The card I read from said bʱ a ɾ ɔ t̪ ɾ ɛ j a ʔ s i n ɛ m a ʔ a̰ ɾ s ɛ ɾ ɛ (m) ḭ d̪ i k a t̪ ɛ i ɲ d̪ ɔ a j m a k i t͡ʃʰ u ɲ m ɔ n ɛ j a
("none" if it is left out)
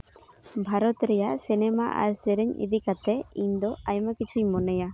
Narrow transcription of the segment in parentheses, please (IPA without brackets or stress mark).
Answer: ɲ